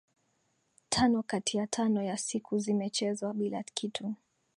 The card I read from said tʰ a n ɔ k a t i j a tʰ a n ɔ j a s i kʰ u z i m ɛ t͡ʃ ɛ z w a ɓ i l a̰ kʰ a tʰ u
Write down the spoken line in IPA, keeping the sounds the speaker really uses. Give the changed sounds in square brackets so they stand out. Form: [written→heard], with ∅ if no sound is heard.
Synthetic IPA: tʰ a n ɔ k a t i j a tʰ a n ɔ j a s i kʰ u z i m ɛ t͡ʃ ɛ z w a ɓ i l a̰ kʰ [a→i] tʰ u